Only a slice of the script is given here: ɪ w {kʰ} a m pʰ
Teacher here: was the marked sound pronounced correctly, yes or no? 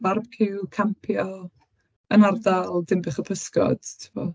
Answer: yes